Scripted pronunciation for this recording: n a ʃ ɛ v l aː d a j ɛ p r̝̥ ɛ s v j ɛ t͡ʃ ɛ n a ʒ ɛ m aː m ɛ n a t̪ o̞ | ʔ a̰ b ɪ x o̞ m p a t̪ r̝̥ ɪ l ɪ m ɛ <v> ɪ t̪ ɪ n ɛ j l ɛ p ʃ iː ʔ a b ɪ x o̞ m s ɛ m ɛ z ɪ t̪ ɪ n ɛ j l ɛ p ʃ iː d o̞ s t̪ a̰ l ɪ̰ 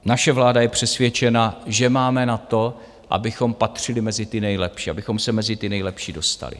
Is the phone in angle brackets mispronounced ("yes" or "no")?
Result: yes